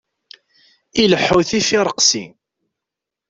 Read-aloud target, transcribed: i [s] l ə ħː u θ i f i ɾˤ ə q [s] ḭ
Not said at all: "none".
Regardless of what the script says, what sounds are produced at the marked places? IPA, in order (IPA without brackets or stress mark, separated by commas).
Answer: none, s